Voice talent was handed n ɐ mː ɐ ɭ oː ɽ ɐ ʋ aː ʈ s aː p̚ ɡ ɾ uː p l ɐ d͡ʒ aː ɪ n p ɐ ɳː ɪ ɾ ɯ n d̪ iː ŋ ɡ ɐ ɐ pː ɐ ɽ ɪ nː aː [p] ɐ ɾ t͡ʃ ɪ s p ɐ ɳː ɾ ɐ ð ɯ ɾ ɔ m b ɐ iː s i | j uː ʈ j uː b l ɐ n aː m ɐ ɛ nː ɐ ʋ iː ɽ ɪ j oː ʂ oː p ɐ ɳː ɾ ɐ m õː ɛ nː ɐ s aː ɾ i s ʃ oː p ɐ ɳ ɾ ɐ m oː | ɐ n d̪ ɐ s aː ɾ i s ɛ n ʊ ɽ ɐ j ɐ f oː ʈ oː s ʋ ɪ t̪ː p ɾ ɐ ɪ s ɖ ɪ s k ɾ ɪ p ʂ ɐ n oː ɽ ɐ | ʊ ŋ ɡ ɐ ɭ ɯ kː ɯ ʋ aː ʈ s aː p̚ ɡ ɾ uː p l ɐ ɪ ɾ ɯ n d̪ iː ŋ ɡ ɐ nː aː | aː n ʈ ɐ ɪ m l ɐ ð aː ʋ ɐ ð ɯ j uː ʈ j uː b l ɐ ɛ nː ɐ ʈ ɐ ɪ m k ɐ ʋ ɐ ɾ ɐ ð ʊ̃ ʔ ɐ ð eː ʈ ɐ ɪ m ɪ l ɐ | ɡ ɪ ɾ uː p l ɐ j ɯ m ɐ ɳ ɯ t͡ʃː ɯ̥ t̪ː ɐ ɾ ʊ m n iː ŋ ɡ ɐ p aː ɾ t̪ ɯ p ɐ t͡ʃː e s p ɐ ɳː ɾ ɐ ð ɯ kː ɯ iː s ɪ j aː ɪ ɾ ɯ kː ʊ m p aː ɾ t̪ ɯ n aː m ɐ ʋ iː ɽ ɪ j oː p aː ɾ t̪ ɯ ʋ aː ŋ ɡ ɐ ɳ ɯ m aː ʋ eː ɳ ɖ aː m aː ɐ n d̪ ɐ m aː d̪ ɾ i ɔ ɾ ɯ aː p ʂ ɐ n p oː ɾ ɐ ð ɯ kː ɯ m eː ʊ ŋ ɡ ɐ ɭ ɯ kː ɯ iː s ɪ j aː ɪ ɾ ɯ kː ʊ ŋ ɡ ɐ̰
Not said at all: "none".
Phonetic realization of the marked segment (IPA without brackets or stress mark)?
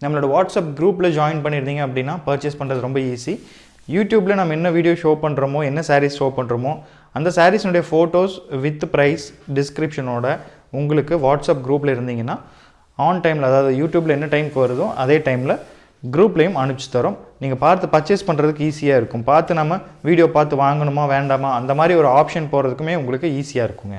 p